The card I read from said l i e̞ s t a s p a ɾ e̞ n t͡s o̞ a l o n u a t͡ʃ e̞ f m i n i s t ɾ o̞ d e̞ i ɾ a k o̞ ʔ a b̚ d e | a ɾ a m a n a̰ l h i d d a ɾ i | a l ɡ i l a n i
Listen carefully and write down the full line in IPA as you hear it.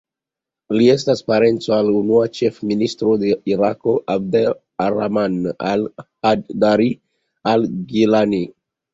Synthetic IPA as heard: l i e̞ s t a s p a ɾ e̞ n t͡s o̞ a l u n u a t͡ʃ e̞ f m i n i s t ɾ o̞ d e̞ i ɾ a k o̞ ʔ a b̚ d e | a ɾ a m a n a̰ l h a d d a ɾ i | a l ɡ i l a n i